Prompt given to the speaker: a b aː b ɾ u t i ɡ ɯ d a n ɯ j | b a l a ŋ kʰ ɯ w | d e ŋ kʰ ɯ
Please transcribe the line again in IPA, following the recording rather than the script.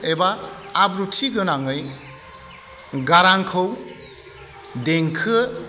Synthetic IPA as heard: e b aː b ɾ u tʰ i ɡ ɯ n a ŋ ɯ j | ɡ a ɾ a ŋ kʰ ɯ w | d e ŋ kʰ ɯ

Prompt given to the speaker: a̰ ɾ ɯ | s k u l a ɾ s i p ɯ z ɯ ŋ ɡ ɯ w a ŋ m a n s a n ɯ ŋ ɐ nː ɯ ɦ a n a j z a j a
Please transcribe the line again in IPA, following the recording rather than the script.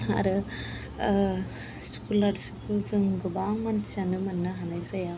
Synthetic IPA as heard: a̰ ɾ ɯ | s k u l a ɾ s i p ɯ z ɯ ŋ ɡ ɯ b a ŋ m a n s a n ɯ m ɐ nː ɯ ɦ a n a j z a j a

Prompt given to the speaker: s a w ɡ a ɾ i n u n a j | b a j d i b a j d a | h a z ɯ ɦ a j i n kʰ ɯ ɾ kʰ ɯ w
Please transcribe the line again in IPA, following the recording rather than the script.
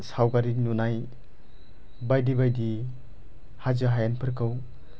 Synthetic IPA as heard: s a w ɡ a ɾ i n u n a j | b a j d i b a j d i | h a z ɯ ɦ a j a n pʰ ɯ ɾ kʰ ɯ w

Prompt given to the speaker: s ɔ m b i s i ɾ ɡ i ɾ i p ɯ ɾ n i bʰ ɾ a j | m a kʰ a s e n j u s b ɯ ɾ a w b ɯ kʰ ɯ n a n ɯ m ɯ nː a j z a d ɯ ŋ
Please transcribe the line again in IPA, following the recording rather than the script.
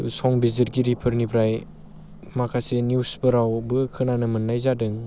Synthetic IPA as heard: s ɔ ŋ b i z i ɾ ɡ i ɾ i pʰ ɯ ɾ n i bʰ ɾ a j | m a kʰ a s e n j u s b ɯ ɾ a w b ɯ kʰ ɯ n a n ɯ m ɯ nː a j z a d ɯ ŋ

